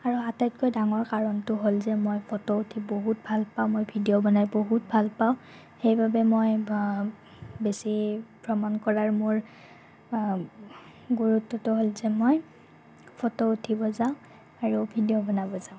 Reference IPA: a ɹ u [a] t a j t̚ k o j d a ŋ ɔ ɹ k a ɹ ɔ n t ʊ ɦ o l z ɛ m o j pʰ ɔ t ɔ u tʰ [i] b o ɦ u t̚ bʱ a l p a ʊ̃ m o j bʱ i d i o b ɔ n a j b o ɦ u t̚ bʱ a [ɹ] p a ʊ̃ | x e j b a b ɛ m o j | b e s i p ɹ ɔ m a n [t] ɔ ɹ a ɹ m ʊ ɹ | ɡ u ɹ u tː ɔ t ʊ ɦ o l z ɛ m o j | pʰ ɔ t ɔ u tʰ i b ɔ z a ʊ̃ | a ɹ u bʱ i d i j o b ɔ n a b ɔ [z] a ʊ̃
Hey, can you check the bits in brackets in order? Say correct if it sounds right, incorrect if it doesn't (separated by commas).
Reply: correct, correct, incorrect, incorrect, correct